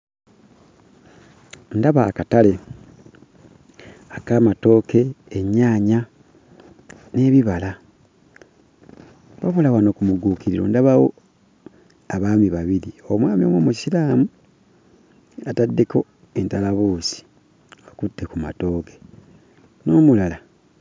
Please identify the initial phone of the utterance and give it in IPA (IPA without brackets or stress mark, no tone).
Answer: n